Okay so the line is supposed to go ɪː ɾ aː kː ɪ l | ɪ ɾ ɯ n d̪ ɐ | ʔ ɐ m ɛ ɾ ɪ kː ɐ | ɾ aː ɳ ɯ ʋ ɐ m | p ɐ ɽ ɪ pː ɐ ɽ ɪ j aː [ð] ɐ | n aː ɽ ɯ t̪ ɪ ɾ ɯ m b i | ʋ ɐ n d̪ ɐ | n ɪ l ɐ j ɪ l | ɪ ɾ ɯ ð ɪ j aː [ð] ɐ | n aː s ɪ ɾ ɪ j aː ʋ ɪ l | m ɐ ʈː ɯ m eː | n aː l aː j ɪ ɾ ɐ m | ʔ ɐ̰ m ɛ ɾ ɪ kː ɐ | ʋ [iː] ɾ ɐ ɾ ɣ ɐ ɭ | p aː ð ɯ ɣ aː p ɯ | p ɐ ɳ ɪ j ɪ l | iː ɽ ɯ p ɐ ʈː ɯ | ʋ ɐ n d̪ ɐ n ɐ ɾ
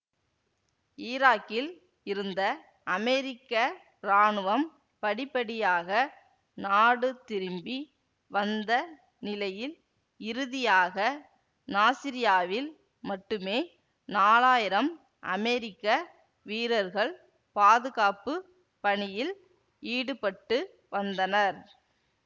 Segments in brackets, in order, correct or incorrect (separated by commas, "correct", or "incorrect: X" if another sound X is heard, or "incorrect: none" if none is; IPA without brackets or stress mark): incorrect: ɣ, incorrect: ɣ, correct